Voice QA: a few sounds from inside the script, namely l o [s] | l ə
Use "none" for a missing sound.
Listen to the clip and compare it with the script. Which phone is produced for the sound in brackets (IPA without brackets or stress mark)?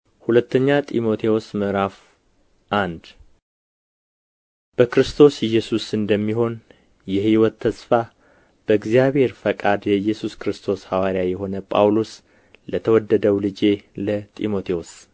s